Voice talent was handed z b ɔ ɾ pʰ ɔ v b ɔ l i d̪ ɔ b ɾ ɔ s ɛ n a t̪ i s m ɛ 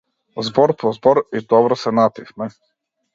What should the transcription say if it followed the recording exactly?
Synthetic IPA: z b ɔ ɾ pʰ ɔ z b ɔ ɾ i d̪ ɔ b ɾ ɔ s ɛ n a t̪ i f m ɛ